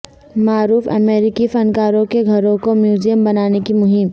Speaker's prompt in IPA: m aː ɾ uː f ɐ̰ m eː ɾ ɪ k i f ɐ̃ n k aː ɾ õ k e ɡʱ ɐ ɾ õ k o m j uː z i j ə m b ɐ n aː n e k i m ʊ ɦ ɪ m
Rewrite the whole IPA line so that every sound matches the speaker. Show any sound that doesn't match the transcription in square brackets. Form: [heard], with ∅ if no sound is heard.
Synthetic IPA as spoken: m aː ɾ uː f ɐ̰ m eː ɾ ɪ k i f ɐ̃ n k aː ɾ õ k e ɡʱ ɐ ɾ õ k o m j uː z i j ə m b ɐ n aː n e k i m ʊ ɦ ɪ m